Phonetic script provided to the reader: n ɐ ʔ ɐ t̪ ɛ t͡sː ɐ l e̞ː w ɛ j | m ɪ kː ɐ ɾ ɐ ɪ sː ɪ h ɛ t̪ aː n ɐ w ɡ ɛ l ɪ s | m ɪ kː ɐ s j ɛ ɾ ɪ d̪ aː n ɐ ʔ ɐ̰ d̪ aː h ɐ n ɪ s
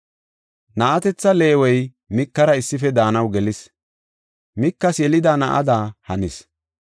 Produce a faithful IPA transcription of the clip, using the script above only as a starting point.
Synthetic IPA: n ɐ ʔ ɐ t̪ ɛ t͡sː ɐ l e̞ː w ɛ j | m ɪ kː ɐ ɾ ɐ ɪ sː ɪ f ɛ d̪ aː n ɐ w ɡ ɛ l ɪ s | m ɪ kː ɐ s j ɛ l ɪ d̪ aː n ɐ ʔ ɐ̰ d̪ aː h ɐ n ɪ s